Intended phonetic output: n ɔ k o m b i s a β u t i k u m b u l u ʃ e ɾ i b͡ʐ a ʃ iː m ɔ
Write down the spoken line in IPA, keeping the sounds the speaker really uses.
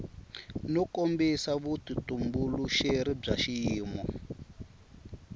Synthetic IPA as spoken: n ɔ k o m b i s a β u t i t u m b u l u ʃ e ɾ i b͡ʐ a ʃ iː m ɔ

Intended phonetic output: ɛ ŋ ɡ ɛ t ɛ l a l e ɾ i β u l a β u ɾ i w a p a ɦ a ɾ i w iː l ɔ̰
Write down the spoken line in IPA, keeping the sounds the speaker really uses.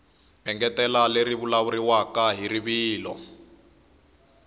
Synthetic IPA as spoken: ɛ ŋ ɡ ɛ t ɛ l a l e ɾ i β u l a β u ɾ i w a k a ɦ i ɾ i β iː l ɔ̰

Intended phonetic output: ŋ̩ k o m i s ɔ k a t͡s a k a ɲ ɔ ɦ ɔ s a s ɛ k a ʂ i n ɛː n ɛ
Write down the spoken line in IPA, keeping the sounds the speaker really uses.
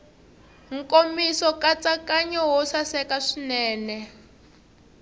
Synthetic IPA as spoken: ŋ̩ k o m i s ɔ k a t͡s a k a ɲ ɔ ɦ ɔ s a s ɛ k a ʂ i n ɛː n ɛ

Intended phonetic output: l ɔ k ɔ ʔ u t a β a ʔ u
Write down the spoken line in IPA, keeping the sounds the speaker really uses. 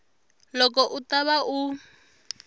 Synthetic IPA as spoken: l ɔ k ɔ ʔ u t a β a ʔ u

